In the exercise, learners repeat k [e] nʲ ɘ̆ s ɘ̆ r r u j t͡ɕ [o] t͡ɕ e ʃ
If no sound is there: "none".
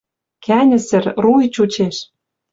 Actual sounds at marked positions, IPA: æ, u

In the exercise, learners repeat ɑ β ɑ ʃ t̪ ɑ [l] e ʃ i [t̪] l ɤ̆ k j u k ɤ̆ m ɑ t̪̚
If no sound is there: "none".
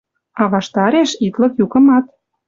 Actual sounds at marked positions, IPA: ɾ, t̪

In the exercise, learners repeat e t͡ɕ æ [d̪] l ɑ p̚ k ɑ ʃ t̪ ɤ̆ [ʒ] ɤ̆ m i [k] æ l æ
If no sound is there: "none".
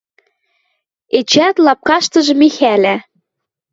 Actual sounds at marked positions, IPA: t̪, ʒ, x

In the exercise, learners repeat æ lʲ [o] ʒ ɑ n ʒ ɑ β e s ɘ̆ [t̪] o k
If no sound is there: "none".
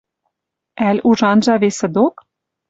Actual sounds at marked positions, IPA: u, d̪

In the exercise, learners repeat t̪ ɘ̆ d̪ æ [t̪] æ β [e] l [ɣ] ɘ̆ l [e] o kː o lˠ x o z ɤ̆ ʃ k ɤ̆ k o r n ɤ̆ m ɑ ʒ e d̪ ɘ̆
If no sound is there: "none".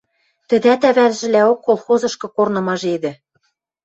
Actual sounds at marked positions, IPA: t̪, æ, ʒ, æ

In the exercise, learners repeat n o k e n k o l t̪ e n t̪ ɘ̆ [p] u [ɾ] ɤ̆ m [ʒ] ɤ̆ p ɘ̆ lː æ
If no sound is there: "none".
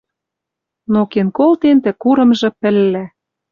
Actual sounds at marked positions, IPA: k, ɾ, ʒ

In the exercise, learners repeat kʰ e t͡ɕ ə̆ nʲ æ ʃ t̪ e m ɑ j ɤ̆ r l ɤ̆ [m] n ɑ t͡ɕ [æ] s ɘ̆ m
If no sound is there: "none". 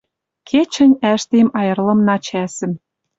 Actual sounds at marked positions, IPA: m, æ

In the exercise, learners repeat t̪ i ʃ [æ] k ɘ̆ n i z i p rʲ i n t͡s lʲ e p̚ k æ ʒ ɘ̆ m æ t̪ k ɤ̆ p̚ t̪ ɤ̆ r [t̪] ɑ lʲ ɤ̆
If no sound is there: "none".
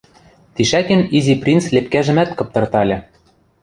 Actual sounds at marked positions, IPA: æ, t̪

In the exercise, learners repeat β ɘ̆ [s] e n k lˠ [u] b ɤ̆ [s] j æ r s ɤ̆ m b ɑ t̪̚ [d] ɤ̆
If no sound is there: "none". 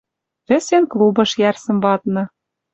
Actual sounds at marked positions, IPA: s, u, ʃ, n

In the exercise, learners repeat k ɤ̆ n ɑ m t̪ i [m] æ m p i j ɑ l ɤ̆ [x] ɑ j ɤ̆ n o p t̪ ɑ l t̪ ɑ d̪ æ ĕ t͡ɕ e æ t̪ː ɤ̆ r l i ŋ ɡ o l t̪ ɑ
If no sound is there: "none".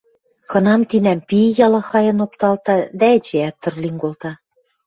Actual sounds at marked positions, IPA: n, x

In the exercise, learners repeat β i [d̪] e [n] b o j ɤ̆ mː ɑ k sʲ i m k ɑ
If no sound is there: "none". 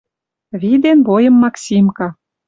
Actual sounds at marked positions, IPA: d̪, n

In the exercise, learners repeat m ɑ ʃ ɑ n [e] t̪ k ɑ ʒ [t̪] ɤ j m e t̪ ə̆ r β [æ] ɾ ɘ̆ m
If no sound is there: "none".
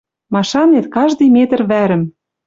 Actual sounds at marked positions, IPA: e, d̪, æ

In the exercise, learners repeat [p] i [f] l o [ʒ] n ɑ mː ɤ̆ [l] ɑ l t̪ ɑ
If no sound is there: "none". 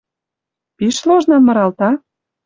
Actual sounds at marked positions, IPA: p, ʃ, ʒ, ɾ

